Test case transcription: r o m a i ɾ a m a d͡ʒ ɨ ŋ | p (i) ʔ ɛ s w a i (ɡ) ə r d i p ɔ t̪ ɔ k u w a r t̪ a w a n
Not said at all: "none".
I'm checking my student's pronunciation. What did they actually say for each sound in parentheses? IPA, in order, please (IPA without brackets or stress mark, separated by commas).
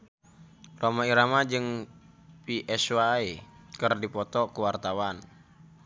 i, k